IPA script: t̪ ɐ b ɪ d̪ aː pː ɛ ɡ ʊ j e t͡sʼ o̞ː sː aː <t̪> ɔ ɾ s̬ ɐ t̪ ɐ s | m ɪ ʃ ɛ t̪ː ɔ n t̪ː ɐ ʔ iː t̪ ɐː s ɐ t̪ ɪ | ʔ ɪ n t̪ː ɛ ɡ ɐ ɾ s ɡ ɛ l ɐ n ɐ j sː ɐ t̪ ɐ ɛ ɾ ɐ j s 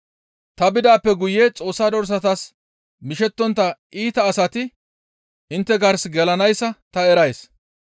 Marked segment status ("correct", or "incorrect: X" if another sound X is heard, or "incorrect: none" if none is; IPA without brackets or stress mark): incorrect: d̪